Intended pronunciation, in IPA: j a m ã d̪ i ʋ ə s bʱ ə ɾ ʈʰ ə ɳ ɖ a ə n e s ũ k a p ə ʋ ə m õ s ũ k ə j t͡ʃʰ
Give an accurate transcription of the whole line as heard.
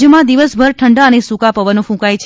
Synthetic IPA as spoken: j ə m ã d̪ i ʋ ə s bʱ ə ɾ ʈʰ ə ɳ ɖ a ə n e s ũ k a p ə ʋ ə n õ f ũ k a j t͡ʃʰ